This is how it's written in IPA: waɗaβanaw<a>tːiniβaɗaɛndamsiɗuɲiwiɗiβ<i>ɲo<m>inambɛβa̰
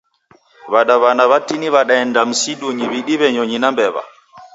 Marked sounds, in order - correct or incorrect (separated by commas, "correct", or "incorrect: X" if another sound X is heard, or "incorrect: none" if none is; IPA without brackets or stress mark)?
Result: correct, incorrect: ɛ, incorrect: ɲ